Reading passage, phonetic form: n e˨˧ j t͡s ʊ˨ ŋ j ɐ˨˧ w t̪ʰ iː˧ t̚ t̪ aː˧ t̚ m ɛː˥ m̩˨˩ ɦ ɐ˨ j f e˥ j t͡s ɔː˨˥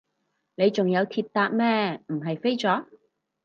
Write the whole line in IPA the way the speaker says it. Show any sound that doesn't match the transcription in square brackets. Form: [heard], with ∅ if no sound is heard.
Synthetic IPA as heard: n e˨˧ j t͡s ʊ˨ ŋ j ɐ˨˧ w t̪ʰ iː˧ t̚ t̪ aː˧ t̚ m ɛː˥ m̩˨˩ ɦ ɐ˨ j f e˥ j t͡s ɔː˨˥